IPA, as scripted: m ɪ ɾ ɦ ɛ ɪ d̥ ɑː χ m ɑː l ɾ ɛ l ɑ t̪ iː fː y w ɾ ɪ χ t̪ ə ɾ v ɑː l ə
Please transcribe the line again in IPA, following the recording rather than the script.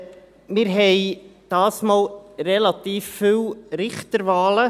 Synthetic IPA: m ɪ ɾ ɦ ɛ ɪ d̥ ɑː s m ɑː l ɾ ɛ l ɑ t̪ iː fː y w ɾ ɪ χ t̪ ə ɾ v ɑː l ə